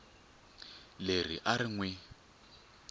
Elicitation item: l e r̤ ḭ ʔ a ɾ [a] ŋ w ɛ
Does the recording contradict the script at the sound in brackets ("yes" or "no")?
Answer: yes